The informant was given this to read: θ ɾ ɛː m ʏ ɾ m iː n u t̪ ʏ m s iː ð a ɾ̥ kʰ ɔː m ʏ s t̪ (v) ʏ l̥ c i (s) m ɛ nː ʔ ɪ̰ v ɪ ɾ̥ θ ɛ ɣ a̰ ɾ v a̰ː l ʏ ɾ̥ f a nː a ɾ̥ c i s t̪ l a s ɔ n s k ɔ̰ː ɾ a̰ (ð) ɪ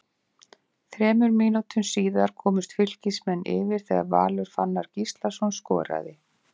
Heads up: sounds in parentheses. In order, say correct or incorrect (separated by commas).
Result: incorrect, correct, correct